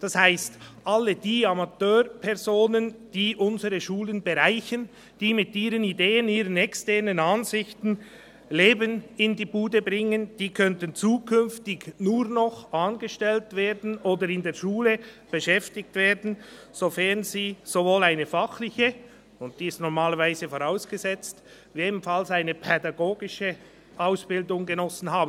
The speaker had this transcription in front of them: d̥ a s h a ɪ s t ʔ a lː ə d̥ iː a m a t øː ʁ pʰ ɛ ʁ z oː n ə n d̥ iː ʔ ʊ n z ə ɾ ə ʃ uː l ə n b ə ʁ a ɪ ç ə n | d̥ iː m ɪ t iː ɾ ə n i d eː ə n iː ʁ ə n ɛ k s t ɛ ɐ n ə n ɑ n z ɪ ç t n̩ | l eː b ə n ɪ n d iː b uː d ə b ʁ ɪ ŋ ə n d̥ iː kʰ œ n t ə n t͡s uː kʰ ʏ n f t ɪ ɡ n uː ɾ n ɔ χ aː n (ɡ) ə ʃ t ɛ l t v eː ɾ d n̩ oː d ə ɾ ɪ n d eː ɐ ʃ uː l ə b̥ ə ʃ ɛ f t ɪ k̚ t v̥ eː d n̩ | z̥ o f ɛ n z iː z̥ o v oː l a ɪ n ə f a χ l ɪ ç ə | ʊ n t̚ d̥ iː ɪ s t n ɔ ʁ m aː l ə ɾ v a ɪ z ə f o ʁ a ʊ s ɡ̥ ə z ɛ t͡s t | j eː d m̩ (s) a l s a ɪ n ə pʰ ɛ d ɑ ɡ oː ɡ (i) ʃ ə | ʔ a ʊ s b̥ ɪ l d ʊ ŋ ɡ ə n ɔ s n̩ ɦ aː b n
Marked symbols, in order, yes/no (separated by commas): yes, no, no